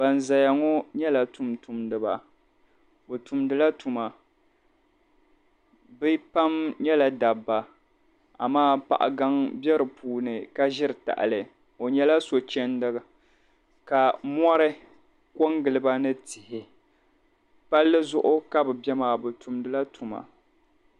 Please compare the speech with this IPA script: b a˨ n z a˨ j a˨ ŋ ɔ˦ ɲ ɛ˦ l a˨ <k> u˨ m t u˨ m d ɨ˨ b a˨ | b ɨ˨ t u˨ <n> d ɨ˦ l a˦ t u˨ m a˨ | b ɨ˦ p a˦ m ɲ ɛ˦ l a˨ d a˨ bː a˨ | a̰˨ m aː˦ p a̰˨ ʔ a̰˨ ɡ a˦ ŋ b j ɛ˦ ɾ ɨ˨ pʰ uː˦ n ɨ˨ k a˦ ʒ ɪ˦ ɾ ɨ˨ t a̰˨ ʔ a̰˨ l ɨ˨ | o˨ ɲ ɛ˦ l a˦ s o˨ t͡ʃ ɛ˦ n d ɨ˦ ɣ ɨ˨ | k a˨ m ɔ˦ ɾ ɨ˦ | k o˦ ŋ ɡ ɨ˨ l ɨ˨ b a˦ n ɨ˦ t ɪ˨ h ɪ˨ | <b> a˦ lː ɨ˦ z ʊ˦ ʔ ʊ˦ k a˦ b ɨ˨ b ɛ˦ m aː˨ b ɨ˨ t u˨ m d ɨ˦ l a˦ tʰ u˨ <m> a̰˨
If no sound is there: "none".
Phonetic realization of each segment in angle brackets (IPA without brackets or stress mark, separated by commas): t, m, p, m